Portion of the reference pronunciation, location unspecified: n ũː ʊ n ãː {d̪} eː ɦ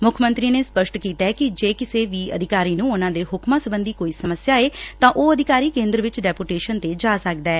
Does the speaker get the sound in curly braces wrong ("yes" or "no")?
no